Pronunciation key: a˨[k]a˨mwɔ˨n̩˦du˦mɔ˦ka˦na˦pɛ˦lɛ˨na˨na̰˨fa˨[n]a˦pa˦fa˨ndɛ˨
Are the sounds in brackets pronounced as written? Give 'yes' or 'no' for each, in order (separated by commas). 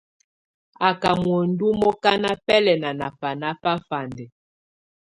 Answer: yes, yes